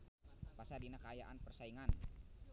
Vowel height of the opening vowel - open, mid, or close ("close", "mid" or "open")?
open